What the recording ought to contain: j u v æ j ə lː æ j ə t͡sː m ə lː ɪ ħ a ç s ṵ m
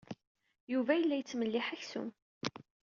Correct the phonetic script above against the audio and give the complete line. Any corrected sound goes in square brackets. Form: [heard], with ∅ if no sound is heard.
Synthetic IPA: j u v æ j ə lː æ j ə t͡sː m ə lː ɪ ħ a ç s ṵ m